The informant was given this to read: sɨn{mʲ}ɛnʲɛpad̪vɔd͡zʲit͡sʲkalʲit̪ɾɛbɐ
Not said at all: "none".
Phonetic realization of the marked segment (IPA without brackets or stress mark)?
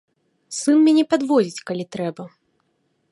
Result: mʲ